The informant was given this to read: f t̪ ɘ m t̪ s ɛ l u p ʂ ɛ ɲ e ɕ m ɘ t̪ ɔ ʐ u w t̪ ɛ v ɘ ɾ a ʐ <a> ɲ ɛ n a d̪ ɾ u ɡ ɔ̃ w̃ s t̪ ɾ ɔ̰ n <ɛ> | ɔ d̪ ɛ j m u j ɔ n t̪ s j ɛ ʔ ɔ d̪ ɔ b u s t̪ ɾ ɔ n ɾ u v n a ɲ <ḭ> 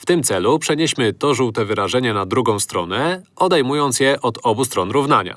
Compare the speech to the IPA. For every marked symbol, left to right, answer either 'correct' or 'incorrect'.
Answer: incorrect: ɛ, correct, incorrect: a̰

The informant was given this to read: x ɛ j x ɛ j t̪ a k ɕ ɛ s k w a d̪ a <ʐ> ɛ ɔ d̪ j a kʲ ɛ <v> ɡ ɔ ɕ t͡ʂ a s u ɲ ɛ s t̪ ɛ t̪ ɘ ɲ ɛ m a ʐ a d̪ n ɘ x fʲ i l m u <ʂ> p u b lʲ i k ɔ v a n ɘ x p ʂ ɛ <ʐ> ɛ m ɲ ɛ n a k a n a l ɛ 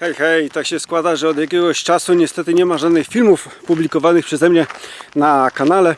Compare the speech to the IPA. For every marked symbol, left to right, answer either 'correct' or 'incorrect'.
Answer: correct, incorrect: none, incorrect: f, incorrect: z

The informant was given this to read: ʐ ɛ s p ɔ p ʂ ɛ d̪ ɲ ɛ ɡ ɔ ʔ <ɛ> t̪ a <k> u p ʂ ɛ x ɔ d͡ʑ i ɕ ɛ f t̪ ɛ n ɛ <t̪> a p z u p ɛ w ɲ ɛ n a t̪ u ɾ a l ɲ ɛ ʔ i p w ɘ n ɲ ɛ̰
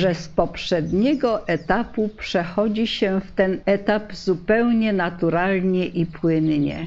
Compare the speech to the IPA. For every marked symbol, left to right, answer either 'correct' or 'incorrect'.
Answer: correct, incorrect: p, correct

